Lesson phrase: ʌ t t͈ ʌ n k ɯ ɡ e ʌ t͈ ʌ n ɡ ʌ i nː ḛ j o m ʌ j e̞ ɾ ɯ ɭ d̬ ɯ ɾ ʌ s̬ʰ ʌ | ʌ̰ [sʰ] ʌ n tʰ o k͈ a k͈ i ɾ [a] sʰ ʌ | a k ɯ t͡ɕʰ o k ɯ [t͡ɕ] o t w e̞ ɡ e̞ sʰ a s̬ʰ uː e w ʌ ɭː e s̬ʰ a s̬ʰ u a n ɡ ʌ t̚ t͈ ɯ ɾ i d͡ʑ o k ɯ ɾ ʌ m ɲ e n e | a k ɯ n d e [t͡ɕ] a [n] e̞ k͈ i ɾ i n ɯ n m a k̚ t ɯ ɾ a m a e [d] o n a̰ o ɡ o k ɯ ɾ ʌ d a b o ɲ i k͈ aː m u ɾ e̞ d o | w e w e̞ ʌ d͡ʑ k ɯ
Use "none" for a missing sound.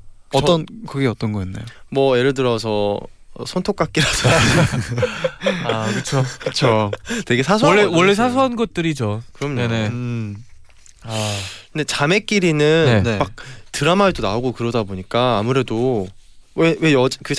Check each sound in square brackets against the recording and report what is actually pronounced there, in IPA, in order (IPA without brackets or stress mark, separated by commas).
sʰ, a, t͡ɕʰ, t͡ɕ, m, d